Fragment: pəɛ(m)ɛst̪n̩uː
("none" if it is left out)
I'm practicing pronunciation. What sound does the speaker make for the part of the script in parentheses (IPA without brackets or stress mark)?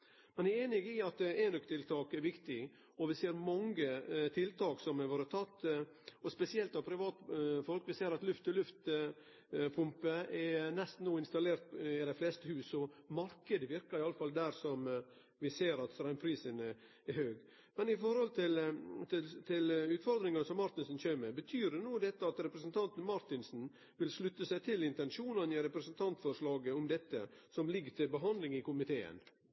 n